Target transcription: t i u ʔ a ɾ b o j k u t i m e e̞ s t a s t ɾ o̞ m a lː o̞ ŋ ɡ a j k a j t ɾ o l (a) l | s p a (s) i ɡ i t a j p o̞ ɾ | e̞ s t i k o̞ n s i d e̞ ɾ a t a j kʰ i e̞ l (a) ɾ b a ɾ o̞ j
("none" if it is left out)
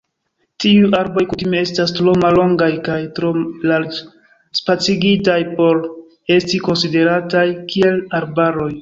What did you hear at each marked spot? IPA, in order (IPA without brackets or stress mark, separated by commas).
a, t͡s, a